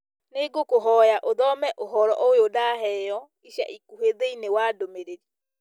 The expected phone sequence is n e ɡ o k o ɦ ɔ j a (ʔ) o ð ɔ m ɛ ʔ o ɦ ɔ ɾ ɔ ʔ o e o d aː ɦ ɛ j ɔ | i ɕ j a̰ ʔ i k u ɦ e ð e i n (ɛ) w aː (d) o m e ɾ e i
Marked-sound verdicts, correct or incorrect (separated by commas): correct, incorrect, correct